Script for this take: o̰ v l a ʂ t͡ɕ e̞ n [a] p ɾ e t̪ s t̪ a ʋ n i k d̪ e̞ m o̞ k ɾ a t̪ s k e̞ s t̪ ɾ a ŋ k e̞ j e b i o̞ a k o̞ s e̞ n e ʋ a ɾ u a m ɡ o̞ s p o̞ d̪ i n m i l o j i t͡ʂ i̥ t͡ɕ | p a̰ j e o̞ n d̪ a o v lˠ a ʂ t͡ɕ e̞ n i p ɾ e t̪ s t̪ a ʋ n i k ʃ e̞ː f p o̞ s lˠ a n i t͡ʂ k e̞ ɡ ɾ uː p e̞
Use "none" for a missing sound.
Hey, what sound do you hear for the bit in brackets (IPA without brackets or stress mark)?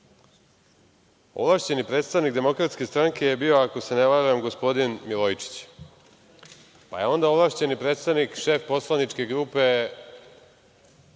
i